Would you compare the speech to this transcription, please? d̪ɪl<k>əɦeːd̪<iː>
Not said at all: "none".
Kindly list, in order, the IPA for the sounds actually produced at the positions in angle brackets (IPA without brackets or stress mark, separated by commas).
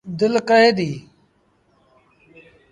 k, iː